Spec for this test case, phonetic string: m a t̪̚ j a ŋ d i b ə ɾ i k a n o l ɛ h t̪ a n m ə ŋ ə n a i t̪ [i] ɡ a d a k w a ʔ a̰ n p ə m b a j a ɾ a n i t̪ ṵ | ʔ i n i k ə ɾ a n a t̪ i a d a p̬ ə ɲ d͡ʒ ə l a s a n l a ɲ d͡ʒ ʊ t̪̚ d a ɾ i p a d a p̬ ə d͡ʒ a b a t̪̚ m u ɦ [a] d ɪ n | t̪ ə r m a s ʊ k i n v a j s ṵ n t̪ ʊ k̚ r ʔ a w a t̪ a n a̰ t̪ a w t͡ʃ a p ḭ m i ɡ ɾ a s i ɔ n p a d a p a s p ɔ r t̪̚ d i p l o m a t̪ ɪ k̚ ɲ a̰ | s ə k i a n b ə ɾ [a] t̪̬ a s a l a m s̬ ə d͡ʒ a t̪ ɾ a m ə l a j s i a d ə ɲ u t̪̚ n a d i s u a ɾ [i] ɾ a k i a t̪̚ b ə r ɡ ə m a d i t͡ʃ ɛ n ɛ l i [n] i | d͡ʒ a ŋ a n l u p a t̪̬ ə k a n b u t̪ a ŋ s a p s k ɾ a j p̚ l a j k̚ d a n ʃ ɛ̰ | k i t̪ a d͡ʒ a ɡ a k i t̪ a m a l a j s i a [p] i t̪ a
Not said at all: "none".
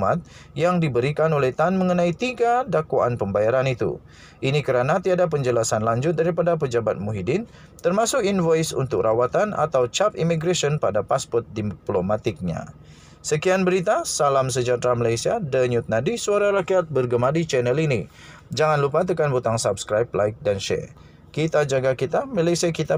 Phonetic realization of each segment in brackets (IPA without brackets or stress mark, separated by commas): i, i, i, a, n, k